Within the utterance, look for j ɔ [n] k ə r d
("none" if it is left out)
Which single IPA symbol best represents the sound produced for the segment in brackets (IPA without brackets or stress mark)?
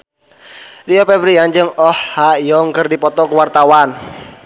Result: ŋ